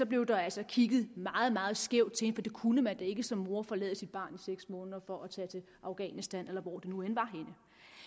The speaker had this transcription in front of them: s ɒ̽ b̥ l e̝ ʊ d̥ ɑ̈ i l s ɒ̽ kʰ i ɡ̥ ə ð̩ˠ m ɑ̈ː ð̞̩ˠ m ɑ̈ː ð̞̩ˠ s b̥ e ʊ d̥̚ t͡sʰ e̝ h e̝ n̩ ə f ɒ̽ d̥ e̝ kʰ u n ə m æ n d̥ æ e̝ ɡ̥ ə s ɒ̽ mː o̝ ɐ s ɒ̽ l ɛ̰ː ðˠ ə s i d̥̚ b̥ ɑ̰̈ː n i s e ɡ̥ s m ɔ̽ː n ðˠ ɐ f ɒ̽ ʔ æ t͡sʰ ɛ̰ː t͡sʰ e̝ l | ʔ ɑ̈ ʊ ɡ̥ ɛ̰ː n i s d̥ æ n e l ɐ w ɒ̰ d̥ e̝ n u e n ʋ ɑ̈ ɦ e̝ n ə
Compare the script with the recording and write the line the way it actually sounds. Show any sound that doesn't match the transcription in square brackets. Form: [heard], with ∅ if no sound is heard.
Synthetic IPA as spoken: s ɒ̽ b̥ l e̝ ʊ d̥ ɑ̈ [æ] l s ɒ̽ kʰ i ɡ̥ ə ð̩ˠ m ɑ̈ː ð̞̩ˠ m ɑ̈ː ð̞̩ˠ s [ɡ̥] e ʊ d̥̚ t͡sʰ e̝ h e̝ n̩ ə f ɒ̽ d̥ e̝ kʰ u n ə m æ n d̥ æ e̝ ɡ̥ ə s ɒ̽ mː o̝ ɐ [f] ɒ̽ l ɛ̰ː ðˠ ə s i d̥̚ b̥ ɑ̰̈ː n i s e ɡ̥ s m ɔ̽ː n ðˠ ɐ f ɒ̽ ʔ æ t͡sʰ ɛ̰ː t͡sʰ e̝ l | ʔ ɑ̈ ʊ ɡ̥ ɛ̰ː n i s d̥ æ n e l ɐ [ʋ] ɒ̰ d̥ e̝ n u e n ʋ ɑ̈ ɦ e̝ n ə